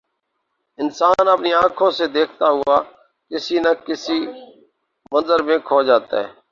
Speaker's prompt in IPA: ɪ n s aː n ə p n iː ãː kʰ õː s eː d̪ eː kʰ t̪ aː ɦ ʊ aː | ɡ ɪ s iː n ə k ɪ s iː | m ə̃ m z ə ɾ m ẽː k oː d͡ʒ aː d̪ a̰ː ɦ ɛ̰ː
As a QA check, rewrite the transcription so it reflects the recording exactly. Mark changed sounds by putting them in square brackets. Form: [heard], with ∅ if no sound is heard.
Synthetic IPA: ɪ n s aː n ə p n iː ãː kʰ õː s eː d̪ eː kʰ t̪ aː ɦ ʊ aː | [k] ɪ s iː n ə k ɪ s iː | m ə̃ [n] z ə ɾ m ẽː [kʰ] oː d͡ʒ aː [t̪] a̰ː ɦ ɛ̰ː